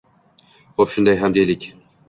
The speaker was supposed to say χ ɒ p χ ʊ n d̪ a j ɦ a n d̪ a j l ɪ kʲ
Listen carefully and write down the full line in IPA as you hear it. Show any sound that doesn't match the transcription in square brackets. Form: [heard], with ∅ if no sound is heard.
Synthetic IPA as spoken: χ [o] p [ʃ] ʊ n d̪ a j ɦ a [m] d̪ [e] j l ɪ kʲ